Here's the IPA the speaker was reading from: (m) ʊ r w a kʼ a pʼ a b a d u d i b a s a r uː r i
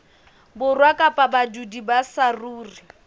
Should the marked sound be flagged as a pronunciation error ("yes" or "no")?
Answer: yes